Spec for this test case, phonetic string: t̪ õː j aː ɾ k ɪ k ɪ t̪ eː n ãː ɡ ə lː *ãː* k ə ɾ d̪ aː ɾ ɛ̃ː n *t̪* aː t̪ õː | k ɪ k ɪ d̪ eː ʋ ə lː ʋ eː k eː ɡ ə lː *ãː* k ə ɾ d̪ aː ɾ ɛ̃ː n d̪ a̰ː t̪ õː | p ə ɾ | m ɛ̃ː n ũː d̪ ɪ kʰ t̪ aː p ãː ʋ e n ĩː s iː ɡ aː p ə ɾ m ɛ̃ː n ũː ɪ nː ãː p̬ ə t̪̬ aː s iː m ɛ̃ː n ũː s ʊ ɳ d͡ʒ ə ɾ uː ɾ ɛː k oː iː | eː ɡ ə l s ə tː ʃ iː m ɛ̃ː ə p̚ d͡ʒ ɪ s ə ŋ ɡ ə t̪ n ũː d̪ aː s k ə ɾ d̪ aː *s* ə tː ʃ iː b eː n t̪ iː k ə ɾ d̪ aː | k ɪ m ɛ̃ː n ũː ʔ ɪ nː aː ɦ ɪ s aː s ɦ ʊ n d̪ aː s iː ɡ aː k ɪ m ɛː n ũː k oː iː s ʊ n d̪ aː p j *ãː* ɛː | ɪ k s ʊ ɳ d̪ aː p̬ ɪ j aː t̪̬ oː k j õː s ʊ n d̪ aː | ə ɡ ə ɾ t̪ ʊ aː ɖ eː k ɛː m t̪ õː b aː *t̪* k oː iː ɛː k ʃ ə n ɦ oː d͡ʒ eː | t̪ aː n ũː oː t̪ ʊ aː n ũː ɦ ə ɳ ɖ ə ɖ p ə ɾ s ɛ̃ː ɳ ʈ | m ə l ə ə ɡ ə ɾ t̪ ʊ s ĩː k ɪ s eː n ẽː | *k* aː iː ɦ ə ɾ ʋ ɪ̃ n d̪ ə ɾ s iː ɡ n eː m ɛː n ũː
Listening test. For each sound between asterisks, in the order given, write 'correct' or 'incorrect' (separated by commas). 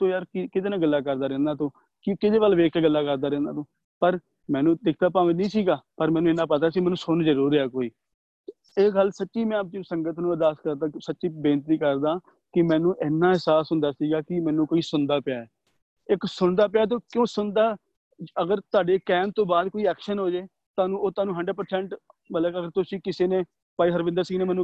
incorrect, incorrect, incorrect, correct, incorrect, incorrect, incorrect